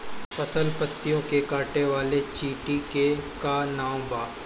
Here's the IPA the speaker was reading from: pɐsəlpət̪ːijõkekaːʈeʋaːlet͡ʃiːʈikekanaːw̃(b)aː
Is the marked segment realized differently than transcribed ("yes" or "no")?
no